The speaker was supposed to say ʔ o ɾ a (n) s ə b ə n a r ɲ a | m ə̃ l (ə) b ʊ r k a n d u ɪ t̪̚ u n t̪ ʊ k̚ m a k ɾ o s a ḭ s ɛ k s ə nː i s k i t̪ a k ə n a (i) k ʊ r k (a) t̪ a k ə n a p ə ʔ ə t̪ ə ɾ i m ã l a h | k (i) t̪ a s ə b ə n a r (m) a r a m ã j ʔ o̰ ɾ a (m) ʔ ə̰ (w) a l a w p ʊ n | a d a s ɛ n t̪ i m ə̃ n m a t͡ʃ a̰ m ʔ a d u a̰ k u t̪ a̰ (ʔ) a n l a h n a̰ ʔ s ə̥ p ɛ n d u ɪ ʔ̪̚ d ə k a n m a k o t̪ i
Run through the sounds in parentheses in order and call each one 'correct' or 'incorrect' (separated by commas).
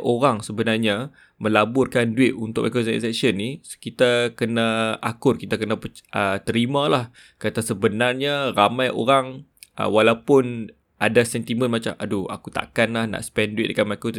incorrect, incorrect, incorrect, incorrect, incorrect, incorrect, incorrect, correct, incorrect